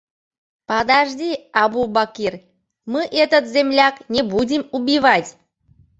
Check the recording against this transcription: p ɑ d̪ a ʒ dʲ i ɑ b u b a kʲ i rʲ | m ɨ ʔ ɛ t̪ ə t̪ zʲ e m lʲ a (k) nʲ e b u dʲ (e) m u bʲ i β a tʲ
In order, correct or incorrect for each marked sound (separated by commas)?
correct, incorrect